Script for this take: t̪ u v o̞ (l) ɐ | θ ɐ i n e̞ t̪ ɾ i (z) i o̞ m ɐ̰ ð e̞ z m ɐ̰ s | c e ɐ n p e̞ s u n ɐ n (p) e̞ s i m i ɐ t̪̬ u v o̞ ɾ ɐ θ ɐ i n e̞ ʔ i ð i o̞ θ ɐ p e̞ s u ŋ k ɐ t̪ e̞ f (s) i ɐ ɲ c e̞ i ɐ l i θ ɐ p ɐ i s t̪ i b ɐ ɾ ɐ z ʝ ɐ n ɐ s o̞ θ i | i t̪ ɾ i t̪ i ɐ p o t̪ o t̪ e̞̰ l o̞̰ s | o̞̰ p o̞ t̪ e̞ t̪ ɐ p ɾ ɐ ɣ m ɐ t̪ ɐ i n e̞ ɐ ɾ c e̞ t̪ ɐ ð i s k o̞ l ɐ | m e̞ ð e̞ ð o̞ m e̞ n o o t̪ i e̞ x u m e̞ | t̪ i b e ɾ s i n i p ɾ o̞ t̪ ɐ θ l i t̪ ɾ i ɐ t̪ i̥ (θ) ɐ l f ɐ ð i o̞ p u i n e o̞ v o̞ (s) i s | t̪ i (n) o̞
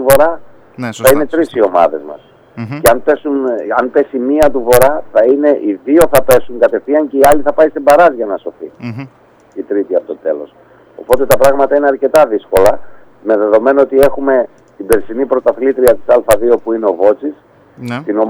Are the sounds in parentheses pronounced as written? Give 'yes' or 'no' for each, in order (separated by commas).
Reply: no, no, yes, no, no, no, yes